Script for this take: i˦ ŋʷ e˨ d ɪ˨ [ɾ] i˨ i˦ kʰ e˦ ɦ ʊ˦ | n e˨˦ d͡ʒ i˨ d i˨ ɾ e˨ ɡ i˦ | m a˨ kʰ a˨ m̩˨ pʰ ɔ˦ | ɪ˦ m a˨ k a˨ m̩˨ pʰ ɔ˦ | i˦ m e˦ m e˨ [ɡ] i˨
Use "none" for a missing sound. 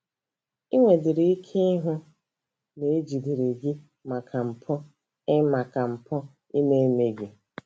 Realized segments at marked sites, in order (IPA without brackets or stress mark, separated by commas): ɾ, ɡ